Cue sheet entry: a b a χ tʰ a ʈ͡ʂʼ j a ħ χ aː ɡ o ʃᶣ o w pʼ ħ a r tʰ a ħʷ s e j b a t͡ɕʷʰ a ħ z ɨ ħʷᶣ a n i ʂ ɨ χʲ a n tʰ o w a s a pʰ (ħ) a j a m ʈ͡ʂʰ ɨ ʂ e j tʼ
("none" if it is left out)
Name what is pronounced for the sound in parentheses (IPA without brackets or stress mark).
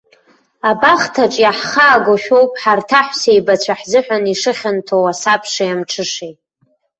ʂ